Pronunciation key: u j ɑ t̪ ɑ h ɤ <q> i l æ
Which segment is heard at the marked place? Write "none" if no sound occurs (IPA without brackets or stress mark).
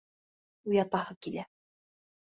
k